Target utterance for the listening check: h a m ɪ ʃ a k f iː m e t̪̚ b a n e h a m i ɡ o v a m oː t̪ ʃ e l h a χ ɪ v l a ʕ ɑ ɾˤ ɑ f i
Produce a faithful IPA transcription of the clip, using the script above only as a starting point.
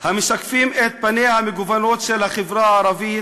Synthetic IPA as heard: h a m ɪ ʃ a k f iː m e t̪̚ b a n e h a m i ɡ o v a n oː t̪ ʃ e l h a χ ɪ v ɾ a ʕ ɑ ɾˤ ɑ v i